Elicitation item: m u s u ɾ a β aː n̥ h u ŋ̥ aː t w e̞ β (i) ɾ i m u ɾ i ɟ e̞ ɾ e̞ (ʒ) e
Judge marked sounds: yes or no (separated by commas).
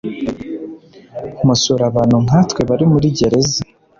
no, no